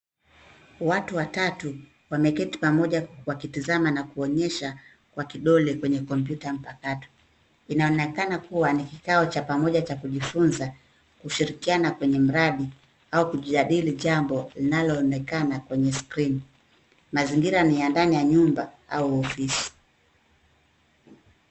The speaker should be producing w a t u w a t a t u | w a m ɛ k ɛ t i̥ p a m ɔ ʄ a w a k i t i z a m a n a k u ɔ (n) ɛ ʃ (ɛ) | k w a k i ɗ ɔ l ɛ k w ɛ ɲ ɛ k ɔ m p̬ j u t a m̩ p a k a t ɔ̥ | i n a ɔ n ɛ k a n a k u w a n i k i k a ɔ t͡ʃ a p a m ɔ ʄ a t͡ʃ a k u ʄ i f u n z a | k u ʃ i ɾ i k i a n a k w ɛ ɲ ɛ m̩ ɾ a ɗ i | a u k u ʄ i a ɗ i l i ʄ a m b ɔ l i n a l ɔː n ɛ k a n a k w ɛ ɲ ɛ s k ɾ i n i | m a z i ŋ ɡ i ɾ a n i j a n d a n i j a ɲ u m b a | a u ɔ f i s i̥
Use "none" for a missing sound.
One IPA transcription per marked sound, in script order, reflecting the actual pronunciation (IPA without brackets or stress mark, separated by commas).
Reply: ɲ, a